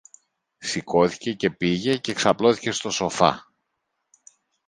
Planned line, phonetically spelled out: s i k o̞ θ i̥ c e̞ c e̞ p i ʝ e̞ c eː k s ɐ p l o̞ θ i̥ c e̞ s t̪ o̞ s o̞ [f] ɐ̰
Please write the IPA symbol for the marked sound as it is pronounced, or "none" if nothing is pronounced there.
f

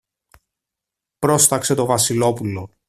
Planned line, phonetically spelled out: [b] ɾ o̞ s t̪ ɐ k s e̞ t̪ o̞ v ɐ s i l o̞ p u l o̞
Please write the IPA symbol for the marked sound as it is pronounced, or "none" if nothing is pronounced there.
p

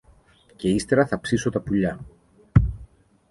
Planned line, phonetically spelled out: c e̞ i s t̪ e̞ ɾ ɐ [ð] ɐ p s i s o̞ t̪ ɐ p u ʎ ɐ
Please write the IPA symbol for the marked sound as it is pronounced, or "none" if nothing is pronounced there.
θ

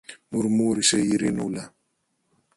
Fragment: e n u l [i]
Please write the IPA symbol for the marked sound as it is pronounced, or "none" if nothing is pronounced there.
a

